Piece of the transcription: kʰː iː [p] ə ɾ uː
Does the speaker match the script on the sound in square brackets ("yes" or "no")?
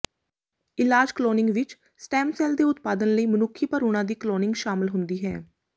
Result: yes